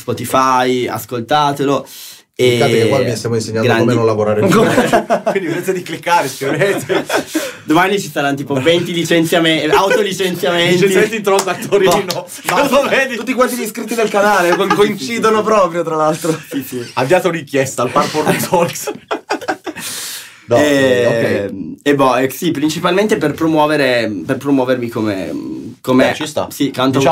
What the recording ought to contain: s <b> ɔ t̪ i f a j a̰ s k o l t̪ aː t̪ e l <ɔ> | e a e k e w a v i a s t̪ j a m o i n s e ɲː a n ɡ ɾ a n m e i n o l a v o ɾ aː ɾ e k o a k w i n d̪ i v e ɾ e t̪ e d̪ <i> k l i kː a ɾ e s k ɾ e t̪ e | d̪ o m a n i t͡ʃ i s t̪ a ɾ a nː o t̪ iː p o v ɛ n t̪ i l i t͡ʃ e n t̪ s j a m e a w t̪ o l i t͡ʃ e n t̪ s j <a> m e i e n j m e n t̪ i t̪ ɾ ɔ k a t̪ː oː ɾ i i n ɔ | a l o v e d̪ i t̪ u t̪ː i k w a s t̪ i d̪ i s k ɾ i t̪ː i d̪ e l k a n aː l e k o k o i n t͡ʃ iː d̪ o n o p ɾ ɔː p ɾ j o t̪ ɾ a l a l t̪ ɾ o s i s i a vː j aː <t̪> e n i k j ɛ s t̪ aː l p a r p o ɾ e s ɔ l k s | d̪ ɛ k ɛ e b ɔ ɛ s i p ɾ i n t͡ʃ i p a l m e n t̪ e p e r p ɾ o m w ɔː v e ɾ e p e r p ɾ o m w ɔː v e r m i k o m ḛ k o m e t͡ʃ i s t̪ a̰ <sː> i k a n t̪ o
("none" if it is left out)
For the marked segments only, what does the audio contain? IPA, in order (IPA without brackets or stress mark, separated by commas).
p, o, i, a, t̪, s